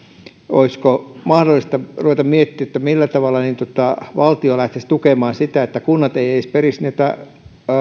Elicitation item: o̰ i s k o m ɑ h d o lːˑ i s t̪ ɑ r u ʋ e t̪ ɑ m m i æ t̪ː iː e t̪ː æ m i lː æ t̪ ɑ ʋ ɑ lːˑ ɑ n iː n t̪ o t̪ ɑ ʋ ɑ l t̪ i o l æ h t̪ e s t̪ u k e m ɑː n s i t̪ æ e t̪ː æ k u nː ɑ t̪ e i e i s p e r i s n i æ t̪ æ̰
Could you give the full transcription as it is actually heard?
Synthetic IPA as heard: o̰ i s k o m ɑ h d o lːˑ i s t̪ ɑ r u ʋ e t̪ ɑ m m i e t̪ː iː e t̪ː æ m i lː æ t̪ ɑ ʋ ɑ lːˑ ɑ n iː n t̪ o t̪ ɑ ʋ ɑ l t̪ i o l æ h t̪ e s t̪ u k e m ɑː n s i t̪ æ e t̪ː æ k u nː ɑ t̪ e i e i s p e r i s n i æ t̪ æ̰